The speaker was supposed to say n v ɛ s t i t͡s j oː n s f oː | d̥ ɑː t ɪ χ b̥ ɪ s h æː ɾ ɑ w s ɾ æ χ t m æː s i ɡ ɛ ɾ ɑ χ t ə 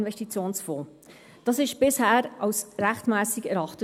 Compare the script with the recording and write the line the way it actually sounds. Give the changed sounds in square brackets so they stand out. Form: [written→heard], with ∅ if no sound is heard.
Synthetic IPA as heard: n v ɛ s t i t͡s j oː n s f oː | d̥ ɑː [t→s] ɪ [χ→ʃ] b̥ ɪ s h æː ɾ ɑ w s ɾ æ χ t m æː s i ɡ ɛ ɾ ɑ χ t ə